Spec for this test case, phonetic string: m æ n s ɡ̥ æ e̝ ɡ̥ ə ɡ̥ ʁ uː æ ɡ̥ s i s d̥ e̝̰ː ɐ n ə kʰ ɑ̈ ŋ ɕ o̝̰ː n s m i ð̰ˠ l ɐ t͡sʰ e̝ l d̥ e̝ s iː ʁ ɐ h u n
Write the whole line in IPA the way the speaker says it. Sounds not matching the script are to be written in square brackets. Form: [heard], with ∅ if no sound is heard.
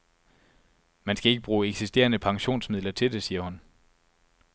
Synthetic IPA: m æ n s ɡ̥ æ e̝ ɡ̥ ə [b̥] ʁ uː [e] ɡ̥ s i s d̥ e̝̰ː ɐ n ə [pʰ] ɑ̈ ŋ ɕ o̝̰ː n s m i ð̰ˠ l ɐ t͡sʰ e̝ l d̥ e̝ s iː [∅] ɐ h u n

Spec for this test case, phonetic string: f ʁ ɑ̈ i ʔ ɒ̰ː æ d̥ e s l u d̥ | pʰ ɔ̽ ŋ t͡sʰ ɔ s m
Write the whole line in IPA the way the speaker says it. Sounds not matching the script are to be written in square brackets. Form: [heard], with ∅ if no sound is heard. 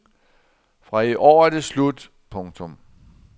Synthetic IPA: f ʁ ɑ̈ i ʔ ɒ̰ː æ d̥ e s l u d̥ | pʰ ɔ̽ ŋ t͡sʰ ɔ [∅] m

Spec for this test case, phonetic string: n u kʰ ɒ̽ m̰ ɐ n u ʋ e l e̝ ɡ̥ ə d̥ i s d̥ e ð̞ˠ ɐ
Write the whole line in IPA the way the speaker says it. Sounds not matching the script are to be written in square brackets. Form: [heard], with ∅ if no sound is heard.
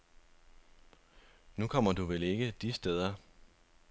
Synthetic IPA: n u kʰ ɒ̽ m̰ ɐ [d] u ʋ e l e̝ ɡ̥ ə d̥ i s d̥ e ð̞ˠ ɐ

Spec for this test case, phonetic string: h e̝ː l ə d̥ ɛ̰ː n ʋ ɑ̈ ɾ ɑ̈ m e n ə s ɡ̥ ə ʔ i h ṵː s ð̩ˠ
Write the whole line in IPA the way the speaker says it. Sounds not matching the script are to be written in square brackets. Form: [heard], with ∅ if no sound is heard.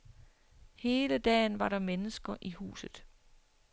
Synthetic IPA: h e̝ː l ə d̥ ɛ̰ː n ʋ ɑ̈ ɾ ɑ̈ m e n ə s ɡ̥ [ɐ] ʔ i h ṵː s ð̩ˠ

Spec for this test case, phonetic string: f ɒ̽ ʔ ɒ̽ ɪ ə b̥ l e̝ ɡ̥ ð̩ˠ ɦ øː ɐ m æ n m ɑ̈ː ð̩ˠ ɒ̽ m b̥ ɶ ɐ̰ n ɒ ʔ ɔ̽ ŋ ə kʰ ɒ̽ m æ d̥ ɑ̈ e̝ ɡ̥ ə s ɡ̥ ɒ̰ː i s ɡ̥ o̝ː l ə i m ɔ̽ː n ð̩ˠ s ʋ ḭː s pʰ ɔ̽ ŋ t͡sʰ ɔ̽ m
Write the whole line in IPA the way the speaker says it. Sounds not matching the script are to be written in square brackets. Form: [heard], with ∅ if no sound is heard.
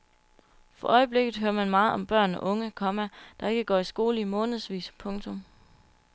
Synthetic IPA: f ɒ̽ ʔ ɒ̽ ɪ ə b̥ l e̝ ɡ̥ ð̩ˠ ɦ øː ɐ m æ n m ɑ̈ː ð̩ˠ ɒ̽ m b̥ ɶ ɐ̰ n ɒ ʔ ɔ̽ ŋ ə kʰ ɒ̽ m æ d̥ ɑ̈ e̝ ɡ̥ ə [∅] ɡ̥ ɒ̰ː i s ɡ̥ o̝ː l ə i m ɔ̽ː n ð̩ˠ s ʋ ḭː s pʰ ɔ̽ ŋ t͡sʰ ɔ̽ m

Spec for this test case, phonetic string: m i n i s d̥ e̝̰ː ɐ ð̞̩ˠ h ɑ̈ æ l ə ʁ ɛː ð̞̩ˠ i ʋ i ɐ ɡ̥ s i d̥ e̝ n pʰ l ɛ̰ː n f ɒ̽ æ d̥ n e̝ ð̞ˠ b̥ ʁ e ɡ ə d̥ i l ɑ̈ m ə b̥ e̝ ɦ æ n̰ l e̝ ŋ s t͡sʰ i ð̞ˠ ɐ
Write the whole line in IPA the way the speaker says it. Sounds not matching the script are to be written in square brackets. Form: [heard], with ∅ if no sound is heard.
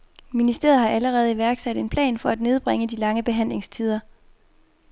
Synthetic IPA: m i n i s d̥ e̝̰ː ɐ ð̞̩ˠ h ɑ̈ æ l ə ʁ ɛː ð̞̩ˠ i ʋ [æ] ɐ ɡ̥ s [æ] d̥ e̝ n pʰ l ɛ̰ː n f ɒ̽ æ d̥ n e̝ ð̞ˠ b̥ ʁ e [ŋ] ə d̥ i l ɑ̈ [ŋ] ə b̥ e̝ ɦ æ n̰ l e̝ ŋ s t͡sʰ i ð̞ˠ ɐ

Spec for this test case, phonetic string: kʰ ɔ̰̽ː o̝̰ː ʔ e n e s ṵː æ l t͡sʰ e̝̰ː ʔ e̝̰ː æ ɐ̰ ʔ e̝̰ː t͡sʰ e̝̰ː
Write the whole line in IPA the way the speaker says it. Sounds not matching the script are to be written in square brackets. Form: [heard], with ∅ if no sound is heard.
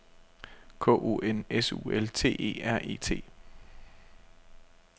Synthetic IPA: kʰ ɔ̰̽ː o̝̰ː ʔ e n e s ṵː [e] l t͡sʰ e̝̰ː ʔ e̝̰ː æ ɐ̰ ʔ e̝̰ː t͡sʰ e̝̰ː

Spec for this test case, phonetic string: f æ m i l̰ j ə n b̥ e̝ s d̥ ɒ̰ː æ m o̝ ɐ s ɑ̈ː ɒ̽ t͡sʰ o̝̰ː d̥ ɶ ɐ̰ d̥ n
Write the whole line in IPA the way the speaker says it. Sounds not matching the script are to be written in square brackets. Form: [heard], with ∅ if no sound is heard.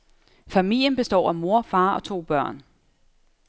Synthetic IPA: f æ m i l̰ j ə n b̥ e̝ s d̥ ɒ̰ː æ m o̝ ɐ [f] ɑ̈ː ɒ̽ t͡sʰ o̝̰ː [b̥] ɶ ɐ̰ [∅] n

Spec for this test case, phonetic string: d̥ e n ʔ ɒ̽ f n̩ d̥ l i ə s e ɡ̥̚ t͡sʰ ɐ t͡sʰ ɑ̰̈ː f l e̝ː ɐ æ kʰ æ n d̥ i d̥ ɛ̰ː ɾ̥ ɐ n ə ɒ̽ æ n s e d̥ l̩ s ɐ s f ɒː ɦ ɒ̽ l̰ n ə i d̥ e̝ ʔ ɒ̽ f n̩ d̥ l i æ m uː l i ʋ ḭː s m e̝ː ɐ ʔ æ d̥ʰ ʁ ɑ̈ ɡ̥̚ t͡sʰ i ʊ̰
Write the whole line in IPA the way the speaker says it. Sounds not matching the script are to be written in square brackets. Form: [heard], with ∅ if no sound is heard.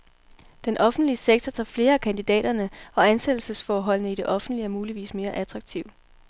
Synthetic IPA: d̥ e n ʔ ɒ̽ f n̩ d̥ l i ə s e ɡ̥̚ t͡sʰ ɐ t͡sʰ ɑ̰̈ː f l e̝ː ɐ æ kʰ æ n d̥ i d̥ ɛ̰ː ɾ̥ ɐ n ə ɒ̽ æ n s e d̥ l̩ s [ə] s f ɒː ɦ ɒ̽ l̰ n ə i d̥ e̝ ʔ ɒ̽ f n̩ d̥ l i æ m uː l i ʋ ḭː s m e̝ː ɐ ʔ æ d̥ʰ ʁ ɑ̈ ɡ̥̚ t͡sʰ i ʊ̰

